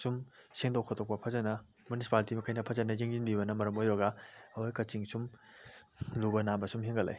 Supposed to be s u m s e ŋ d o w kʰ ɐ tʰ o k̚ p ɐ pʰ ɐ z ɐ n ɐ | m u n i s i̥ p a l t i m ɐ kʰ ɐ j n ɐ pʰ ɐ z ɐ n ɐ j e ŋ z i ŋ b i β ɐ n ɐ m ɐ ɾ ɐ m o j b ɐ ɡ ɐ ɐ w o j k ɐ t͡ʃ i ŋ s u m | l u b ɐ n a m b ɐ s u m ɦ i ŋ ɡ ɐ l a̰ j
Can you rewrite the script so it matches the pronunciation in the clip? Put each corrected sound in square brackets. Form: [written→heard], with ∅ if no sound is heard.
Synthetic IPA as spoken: s u m s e ŋ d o w kʰ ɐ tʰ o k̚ p ɐ pʰ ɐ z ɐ n ɐ | m u n i s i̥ p a l t i m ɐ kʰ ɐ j n ɐ pʰ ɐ z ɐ n ɐ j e ŋ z i [ŋ→n] b i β ɐ n ɐ m ɐ ɾ ɐ m o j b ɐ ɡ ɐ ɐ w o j k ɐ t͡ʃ i ŋ s u m | l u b ɐ n a m b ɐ s u m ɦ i ŋ ɡ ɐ l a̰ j

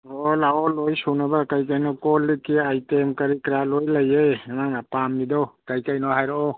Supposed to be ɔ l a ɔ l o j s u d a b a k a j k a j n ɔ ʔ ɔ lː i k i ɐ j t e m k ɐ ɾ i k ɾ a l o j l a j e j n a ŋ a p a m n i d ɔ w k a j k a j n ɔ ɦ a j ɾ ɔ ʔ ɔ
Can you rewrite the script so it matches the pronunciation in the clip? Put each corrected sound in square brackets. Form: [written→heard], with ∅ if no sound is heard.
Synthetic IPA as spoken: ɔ l a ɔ l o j s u [d→n] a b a k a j k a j n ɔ [ʔ→k] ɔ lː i k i [ɐ→a] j t e m k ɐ ɾ i k ɾ a l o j l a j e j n a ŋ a p a m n i d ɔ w k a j k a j n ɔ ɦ a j ɾ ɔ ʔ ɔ

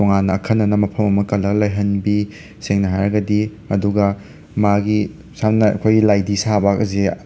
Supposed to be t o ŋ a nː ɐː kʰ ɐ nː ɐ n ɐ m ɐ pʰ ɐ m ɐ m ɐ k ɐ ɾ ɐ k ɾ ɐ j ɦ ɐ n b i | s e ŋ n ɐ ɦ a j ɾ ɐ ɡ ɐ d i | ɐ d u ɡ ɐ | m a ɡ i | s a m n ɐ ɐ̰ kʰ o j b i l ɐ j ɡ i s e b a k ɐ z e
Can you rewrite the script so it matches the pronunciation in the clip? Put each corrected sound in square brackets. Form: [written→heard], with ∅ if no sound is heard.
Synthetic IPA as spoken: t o ŋ a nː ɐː kʰ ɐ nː ɐ n ɐ m ɐ pʰ ɐ m ɐ m ɐ k ɐ [ɾ→l] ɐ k [ɾ→l] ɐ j ɦ ɐ n b i | s e ŋ n ɐ ɦ a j ɾ ɐ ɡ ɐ d i | ɐ d u ɡ ɐ | m a ɡ i | s a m n ɐ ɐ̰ kʰ o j [b→ɡ] i l [ɐ→a] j [ɡ→d] i s [e→a] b a k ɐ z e

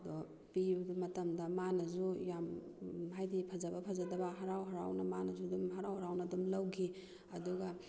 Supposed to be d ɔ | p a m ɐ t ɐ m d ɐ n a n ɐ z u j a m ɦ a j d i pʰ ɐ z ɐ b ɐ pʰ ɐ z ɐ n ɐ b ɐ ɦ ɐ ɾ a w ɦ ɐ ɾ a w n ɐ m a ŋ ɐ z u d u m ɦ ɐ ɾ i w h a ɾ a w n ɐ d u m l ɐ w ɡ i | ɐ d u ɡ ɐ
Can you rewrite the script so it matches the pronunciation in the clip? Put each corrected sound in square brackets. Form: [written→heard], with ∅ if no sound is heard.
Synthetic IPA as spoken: d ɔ | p [a→i] m ɐ t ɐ m d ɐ [n→m] a n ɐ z u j a m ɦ a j d i pʰ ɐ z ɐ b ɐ pʰ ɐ z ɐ [n→d] ɐ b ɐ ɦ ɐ ɾ a w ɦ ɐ ɾ a w n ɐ m a [ŋ→n] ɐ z u d u m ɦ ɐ ɾ [i→a] w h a ɾ a w n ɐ d u m l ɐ w ɡ i | ɐ d u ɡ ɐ

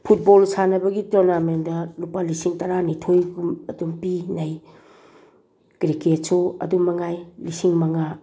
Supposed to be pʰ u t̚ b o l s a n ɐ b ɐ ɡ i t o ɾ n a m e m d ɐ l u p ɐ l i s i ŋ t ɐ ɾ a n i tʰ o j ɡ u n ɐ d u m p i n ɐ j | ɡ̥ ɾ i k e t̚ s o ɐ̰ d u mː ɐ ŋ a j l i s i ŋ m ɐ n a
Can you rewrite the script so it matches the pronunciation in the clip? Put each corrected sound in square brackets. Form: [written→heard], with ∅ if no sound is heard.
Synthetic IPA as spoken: pʰ u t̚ b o l s a n ɐ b ɐ ɡ i t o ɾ n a m e [m→n] d ɐ l u p [ɐ→a] l i s i ŋ t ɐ ɾ a n i tʰ o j ɡ u [n→m] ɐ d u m p i n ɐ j | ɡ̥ ɾ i k e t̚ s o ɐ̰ d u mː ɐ ŋ a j l i s i ŋ m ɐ [n→ŋ] a

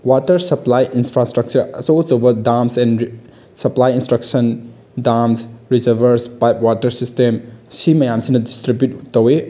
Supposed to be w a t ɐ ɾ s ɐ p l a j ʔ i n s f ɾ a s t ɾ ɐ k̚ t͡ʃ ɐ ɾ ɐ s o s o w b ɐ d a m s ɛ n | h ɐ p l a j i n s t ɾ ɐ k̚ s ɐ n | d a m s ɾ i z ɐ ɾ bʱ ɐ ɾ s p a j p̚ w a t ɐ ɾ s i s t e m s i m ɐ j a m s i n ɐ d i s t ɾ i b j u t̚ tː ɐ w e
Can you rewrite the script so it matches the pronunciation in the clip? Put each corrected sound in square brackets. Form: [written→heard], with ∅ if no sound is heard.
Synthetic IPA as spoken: w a t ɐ ɾ s ɐ p l a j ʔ i n s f ɾ a s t ɾ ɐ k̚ t͡ʃ ɐ ɾ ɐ s o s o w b ɐ d a m s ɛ n | [h→s] ɐ p l a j i n s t ɾ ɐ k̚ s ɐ n | d a m s ɾ i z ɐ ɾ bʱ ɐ ɾ s p a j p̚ w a t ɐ ɾ s i s t e m s i m ɐ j a m s i n ɐ d i s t ɾ i b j u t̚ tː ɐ w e

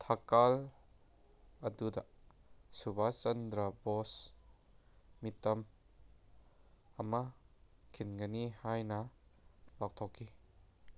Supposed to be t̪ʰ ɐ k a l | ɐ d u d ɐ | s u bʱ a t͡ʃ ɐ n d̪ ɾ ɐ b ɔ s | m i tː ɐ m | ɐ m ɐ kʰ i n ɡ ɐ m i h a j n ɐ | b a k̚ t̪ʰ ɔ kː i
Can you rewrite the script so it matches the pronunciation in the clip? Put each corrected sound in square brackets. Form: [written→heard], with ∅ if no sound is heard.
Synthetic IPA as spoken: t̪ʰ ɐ k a l | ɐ d u d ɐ | s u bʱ a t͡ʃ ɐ n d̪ ɾ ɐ b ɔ s | m i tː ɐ m | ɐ m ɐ kʰ i n ɡ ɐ [m→n] i h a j n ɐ | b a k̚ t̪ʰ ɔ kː i

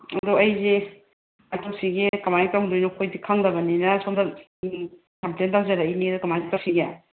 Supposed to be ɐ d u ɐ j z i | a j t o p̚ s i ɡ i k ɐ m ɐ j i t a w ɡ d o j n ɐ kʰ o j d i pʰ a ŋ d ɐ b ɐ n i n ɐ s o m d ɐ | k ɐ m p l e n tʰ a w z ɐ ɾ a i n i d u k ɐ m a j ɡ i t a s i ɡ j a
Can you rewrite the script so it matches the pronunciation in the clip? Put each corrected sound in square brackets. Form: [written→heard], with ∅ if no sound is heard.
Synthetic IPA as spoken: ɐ d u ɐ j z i | a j t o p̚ s i ɡ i k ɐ m [ɐ→a] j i t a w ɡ d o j n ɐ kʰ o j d i [pʰ→kʰ] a ŋ d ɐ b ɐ n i n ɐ s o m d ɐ | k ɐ m p l e n [tʰ→t] a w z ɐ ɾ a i n i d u k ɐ m a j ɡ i t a s i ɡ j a

